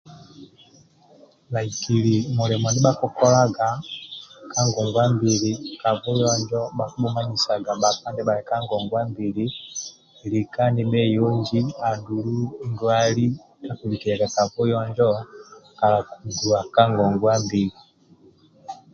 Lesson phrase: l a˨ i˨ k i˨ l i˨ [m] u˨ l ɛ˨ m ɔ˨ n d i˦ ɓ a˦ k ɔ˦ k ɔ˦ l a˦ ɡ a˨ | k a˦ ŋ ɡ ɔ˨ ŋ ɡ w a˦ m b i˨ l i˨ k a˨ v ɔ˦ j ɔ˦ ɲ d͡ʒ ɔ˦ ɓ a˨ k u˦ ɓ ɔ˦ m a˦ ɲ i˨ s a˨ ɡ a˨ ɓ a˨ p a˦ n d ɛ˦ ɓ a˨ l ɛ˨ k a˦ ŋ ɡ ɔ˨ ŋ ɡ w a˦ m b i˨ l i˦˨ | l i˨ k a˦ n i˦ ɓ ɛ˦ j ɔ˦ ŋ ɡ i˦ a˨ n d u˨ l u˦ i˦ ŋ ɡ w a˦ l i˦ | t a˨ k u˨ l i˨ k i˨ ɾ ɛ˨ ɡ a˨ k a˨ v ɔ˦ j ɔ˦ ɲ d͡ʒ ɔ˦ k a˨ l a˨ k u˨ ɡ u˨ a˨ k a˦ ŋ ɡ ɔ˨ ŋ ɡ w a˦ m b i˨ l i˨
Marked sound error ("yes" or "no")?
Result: no